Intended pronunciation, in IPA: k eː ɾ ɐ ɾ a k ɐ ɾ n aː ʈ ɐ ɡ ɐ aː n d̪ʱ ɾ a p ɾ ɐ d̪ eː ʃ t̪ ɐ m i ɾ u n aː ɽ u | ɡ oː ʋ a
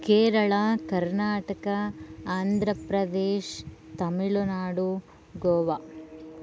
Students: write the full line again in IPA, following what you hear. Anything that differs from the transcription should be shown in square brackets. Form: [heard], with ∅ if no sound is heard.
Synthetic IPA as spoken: k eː ɾ ɐ [ɭ] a k ɐ ɾ n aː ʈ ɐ [k] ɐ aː n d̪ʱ ɾ [ɐ] p ɾ ɐ d̪ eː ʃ t̪ ɐ m i [ɭ] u n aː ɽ u | ɡ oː ʋ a